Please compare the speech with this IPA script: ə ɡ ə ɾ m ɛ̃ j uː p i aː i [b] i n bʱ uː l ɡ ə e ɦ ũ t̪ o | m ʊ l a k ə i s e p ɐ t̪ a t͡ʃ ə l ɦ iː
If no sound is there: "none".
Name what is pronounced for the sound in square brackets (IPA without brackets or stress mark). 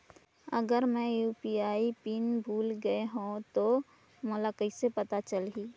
p